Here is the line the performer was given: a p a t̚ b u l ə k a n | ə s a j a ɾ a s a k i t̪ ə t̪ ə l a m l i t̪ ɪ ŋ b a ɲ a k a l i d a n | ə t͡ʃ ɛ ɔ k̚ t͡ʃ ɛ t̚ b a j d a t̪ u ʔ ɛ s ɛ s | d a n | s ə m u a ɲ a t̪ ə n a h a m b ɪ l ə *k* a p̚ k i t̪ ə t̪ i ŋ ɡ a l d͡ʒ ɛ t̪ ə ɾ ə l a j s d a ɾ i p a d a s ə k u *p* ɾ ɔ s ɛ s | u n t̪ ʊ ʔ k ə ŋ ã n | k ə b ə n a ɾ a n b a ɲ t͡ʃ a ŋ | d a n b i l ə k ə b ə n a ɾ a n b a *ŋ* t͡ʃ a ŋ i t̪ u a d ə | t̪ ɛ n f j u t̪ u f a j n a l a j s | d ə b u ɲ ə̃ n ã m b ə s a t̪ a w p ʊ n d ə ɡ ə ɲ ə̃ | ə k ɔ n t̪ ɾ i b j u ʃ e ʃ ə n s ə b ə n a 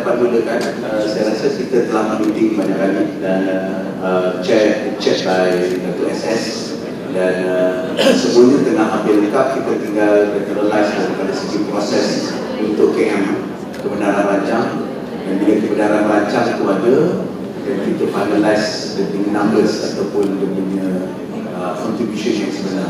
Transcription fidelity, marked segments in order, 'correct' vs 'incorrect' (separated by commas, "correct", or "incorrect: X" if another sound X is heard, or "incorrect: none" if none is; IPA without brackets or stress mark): correct, correct, incorrect: ɲ